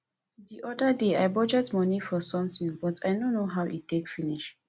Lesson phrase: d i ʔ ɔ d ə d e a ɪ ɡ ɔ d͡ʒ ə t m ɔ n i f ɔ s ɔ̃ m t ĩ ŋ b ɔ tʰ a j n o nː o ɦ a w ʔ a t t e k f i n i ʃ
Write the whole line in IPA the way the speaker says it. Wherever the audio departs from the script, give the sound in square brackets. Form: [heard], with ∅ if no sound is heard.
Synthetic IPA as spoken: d i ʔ ɔ d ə d e a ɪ [b] ɔ d͡ʒ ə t m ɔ n i f ɔ s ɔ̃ m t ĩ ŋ b ɔ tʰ a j n o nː o ɦ a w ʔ [i] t t e k f i n i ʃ